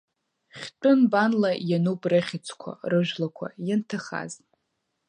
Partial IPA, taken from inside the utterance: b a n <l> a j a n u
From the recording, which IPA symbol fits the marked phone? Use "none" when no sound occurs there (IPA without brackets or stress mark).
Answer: l